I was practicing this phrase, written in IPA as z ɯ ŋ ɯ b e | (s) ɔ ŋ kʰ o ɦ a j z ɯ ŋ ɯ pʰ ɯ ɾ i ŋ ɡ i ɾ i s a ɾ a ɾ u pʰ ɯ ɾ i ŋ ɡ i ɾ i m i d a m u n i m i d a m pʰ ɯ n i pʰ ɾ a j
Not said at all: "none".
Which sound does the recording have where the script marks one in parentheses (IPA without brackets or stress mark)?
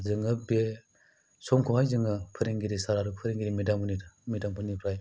s